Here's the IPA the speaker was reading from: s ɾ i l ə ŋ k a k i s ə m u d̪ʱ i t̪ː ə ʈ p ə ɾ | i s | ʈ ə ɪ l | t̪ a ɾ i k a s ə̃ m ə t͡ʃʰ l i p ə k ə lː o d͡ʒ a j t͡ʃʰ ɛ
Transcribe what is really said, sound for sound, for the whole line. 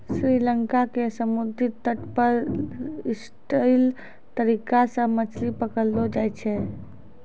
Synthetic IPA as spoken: s ɾ i l ə ŋ k a k e s ə m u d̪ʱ i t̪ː ə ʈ p ə ɾ | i s | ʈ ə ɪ l | t̪ ə ɾ i k a s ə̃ m ə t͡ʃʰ l i p ə k ə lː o d͡ʒ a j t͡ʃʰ ɛ